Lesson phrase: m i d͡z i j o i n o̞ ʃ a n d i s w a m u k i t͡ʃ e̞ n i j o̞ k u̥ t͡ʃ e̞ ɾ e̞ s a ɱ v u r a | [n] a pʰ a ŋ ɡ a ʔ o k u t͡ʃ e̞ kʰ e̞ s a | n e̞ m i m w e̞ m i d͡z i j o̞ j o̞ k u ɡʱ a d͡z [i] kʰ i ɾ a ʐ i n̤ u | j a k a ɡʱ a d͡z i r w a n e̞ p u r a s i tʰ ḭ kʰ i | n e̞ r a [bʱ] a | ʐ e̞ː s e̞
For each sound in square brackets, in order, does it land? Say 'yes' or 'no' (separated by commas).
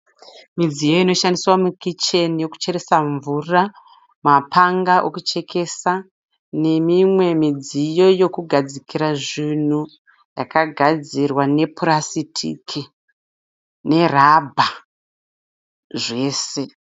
no, yes, yes